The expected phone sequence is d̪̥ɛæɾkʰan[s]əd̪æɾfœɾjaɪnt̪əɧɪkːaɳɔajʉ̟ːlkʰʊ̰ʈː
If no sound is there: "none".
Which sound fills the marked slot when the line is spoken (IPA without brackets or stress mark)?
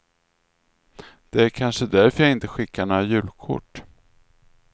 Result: ʂ